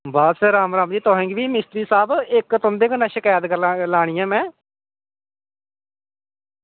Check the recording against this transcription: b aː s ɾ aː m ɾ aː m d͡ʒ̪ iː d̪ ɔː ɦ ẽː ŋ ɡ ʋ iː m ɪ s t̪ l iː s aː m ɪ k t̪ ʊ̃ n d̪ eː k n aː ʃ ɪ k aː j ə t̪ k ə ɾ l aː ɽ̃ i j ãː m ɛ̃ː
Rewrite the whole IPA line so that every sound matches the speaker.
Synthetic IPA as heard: b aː s ɾ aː m ɾ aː m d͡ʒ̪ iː t̪ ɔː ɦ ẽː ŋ ɡ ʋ iː m ɪ s t̪ ɾ iː s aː b ɪ k t̪ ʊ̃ n d̪ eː k n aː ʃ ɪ k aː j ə t̪ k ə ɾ l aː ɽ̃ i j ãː m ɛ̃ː